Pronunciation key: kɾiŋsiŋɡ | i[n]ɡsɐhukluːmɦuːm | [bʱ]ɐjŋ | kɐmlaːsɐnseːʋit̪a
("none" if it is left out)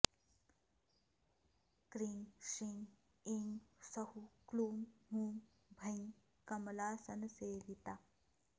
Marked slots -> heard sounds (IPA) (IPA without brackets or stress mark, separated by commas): ŋ, bʱ